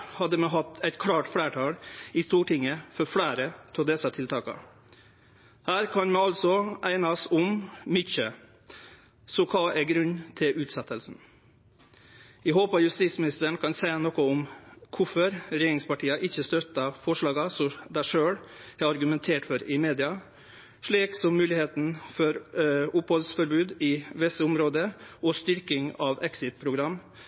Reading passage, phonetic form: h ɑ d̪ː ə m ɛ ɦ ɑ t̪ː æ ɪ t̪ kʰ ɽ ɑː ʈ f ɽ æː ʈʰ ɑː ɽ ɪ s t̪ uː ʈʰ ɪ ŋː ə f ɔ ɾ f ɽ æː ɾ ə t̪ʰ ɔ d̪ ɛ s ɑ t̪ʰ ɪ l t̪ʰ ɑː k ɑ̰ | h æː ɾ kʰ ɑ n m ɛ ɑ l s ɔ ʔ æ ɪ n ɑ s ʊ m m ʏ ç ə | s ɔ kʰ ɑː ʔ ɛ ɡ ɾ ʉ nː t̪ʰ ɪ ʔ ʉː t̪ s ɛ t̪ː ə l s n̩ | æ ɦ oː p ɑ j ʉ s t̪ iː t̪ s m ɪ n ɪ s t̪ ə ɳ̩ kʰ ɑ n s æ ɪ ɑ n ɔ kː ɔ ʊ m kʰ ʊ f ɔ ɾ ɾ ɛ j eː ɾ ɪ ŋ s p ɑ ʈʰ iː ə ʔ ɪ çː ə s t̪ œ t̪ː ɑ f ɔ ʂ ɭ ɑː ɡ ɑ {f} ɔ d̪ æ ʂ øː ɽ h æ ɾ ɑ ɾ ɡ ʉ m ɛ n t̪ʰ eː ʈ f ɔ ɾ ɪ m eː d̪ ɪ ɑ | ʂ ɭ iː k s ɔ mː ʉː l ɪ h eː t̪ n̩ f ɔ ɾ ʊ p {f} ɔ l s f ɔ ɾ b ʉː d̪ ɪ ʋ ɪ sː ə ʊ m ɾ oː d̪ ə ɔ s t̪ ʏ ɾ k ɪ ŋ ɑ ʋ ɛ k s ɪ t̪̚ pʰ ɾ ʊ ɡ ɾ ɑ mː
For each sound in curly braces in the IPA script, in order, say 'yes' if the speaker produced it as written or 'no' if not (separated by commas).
no, no